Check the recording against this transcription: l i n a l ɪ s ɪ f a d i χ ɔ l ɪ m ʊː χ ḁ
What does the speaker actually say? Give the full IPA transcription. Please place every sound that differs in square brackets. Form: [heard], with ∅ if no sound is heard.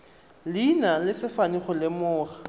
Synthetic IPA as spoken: l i n a l ɪ s ɪ f a [n] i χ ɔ l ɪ m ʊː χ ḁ